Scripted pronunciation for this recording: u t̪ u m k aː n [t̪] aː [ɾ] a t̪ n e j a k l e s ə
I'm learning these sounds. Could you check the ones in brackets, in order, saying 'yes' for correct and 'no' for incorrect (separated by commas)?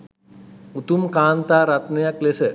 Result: yes, yes